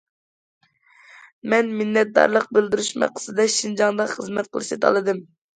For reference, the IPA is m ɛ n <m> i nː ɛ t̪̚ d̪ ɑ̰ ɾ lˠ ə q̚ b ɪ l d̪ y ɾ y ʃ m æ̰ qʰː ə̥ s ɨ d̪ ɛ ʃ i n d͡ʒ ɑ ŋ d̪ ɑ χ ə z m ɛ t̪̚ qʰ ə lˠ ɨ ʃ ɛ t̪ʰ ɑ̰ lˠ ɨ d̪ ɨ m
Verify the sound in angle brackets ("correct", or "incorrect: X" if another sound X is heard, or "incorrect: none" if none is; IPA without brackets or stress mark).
correct